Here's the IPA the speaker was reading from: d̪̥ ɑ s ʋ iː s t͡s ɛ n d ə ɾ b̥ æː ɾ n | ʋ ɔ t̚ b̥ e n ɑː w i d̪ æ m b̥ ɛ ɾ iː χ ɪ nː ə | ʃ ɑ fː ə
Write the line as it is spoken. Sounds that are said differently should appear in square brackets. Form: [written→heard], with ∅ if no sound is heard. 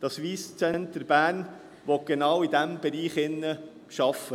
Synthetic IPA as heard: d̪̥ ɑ s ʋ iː s t͡s ɛ n [d→t] ə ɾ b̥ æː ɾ n | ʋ ɔ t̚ [b̥→ɡ̥] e n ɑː w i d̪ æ m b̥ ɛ ɾ iː χ ɪ nː ə | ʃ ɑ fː ə